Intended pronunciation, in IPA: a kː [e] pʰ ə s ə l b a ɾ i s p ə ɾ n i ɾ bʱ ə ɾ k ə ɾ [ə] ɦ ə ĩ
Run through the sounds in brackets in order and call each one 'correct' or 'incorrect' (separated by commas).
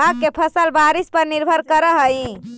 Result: correct, correct